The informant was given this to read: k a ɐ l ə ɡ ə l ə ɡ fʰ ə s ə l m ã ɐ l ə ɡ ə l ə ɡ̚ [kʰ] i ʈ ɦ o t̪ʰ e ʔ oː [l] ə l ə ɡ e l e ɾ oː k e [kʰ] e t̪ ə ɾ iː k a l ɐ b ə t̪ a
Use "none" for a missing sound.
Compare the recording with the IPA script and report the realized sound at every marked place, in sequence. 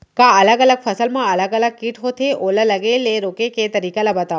k, l, k

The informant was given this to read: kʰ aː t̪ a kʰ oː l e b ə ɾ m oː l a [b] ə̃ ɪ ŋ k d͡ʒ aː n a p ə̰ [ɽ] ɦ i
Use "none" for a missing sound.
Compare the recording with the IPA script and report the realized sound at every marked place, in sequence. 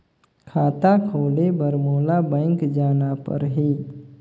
b, ɾ

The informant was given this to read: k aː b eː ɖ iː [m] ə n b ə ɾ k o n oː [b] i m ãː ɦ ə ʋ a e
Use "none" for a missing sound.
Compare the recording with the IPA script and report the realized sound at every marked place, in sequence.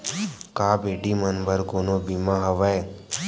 m, b

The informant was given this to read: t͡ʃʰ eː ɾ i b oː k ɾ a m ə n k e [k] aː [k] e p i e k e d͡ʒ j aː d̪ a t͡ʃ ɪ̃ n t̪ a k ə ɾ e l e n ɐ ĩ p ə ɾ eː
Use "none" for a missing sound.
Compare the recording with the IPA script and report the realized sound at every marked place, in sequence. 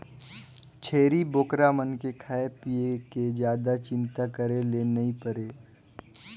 kʰ, none

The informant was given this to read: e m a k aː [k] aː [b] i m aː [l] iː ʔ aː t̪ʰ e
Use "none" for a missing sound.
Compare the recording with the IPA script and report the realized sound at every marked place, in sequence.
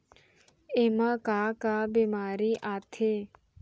k, b, ɾ

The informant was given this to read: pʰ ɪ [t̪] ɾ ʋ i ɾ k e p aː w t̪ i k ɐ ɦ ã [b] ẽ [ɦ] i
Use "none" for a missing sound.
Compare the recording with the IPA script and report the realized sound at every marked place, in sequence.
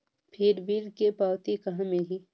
none, m, ɦ

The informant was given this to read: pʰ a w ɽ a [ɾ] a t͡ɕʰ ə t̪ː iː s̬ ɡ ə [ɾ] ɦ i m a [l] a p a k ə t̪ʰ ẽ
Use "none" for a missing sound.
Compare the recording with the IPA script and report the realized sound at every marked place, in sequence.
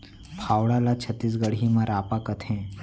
l, ɽ, ɾ

